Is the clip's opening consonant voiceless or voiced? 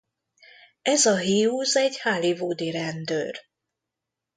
voiced